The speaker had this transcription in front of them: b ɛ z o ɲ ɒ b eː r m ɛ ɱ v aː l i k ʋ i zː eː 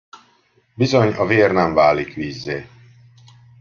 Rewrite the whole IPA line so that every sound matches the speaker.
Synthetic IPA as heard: b i z o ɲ ɒ v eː r n ɛ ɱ v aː l i k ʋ iː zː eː